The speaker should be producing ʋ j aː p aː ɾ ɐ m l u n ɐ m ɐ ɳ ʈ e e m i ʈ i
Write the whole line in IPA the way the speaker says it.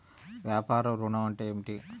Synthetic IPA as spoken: ʋ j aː p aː ɾ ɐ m ɾ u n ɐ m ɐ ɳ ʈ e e m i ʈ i